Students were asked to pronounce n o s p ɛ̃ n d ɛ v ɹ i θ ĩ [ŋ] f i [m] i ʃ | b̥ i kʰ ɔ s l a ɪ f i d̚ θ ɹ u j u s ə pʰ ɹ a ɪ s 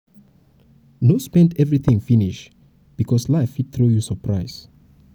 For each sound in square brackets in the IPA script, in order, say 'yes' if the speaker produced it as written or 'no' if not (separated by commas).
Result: yes, no